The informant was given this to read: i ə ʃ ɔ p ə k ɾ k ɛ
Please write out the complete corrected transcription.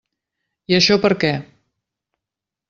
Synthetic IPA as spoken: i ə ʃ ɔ p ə ɾ k ɛ